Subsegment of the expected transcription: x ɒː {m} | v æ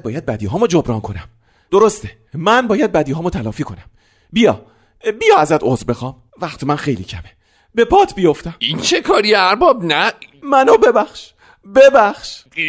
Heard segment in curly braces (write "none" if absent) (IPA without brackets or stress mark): m